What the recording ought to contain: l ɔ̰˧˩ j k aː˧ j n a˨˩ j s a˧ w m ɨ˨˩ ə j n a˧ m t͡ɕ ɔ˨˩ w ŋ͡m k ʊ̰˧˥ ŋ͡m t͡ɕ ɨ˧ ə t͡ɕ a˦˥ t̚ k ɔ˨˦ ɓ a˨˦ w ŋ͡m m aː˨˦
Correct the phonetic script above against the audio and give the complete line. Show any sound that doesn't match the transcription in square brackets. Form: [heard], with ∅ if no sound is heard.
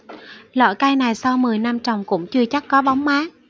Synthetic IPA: l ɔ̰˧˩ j k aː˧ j n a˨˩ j s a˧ w m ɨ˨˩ ə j n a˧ m t͡ɕ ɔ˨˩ w ŋ͡m k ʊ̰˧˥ ŋ͡m t͡ɕ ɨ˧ ə t͡ɕ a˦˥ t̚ k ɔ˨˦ ɓ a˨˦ w ŋ͡m m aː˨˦

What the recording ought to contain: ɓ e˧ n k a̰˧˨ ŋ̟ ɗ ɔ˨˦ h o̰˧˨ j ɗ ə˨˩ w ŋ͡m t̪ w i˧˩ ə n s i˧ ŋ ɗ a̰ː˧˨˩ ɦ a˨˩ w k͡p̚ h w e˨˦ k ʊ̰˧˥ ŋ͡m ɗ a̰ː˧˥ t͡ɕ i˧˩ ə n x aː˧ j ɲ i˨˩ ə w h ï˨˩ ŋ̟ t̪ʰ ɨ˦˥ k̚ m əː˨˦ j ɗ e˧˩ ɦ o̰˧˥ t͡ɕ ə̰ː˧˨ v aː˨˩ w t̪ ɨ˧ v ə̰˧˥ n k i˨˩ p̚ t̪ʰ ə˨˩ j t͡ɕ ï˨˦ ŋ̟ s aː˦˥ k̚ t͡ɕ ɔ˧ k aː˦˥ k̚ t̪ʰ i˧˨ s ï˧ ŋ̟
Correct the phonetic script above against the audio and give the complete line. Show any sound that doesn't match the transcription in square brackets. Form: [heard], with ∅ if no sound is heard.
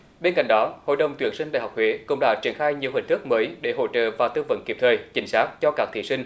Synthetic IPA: ɓ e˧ n k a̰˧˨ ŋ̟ ɗ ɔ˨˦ h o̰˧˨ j ɗ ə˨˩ w ŋ͡m t̪ w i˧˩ ə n s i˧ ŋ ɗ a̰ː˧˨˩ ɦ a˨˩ w k͡p̚ h w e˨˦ k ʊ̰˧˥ ŋ͡m ɗ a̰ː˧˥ t͡ɕ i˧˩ ə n x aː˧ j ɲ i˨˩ ə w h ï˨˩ ŋ̟ [t̪] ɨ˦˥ k̚ m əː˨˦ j ɗ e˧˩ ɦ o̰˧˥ t͡ɕ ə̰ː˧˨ v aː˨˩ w t̪ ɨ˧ v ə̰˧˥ n k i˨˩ p̚ t̪ʰ [əː˨˩] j t͡ɕ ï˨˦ ŋ̟ s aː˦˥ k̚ t͡ɕ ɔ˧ k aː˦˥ k̚ t̪ʰ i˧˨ s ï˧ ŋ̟

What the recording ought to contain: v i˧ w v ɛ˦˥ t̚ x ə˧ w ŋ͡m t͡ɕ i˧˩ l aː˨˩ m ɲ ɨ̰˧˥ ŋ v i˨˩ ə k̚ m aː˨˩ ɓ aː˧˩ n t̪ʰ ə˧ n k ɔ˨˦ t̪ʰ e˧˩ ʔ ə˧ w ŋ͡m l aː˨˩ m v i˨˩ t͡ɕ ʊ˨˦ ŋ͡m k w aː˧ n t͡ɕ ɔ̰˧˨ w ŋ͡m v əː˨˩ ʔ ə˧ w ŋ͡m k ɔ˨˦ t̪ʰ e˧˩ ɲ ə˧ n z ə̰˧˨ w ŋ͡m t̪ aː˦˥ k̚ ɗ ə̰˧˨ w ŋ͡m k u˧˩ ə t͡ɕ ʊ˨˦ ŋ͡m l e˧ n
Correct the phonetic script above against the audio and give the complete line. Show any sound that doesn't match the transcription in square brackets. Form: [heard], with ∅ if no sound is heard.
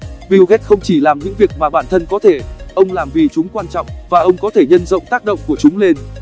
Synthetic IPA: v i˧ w [ɣ] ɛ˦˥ t̚ x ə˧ w ŋ͡m t͡ɕ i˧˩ l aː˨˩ m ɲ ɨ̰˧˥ ŋ v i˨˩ ə k̚ m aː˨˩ ɓ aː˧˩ n t̪ʰ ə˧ n k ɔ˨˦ t̪ʰ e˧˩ ʔ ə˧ w ŋ͡m l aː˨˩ m v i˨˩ t͡ɕ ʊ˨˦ ŋ͡m k w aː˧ n t͡ɕ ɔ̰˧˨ w ŋ͡m v [aː˨˩] ʔ ə˧ w ŋ͡m k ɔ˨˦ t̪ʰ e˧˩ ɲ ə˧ n z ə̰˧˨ w ŋ͡m t̪ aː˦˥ k̚ ɗ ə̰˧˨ w ŋ͡m k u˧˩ ə t͡ɕ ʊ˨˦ ŋ͡m l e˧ n

